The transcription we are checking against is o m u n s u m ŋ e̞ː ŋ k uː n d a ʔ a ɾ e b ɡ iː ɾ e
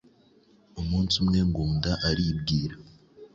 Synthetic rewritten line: o m uː n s u m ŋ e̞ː ŋ ɡ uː n d a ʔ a ɾ i b ɡ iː ɾ a